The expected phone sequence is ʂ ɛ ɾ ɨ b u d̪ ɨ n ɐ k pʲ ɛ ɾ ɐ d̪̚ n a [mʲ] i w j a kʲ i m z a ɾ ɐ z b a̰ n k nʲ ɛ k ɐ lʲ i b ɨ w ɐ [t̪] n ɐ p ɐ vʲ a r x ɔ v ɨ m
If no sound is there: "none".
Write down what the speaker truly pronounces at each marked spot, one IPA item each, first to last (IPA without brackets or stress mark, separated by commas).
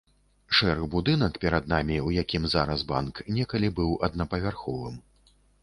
mʲ, d̪